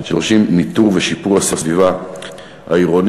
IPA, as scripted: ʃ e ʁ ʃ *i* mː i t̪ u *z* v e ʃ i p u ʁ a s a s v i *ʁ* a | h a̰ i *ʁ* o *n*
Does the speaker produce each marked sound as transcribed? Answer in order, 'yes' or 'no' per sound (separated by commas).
yes, no, no, yes, yes